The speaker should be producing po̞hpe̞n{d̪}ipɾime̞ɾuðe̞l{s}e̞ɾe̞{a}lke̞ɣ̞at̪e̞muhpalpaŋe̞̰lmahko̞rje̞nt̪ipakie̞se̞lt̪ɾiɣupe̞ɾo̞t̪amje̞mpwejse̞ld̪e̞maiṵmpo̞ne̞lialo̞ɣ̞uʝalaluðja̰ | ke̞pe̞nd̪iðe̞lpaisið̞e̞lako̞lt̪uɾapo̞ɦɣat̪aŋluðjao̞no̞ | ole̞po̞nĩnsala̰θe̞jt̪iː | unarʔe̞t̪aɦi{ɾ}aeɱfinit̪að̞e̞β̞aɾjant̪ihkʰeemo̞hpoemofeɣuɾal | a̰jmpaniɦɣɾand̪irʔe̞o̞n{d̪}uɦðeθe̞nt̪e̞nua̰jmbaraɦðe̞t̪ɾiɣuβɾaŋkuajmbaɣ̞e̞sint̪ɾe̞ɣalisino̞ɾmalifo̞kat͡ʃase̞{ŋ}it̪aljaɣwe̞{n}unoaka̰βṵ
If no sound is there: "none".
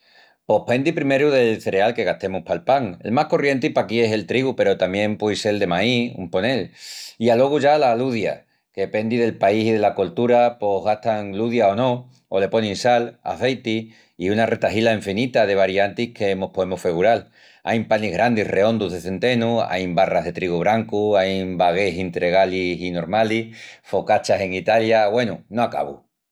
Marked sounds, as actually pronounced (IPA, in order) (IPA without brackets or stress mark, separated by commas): d̪, θ, a, l, d̪, ŋ, n